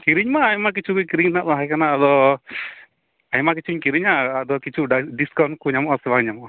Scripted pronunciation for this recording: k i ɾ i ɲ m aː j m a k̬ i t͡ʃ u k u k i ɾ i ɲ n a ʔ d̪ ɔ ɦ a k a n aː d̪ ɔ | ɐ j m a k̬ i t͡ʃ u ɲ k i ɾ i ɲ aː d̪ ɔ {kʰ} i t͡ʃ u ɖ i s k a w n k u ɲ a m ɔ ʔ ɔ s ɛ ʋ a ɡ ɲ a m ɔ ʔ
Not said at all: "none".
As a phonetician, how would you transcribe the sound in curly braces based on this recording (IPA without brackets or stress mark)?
k